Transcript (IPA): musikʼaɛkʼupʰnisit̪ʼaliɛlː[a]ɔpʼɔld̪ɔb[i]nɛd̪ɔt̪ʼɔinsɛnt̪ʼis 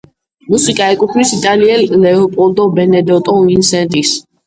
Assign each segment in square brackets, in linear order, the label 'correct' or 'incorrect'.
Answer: incorrect: ɛ, incorrect: ɛ

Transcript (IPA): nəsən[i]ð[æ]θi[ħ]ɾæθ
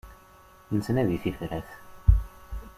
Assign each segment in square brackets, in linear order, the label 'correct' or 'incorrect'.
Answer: incorrect: æ, incorrect: i, incorrect: f

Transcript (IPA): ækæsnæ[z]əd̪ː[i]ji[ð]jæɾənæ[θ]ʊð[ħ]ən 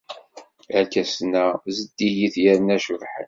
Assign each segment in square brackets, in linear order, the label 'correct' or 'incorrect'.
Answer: correct, correct, incorrect: θ, incorrect: ʃ, correct

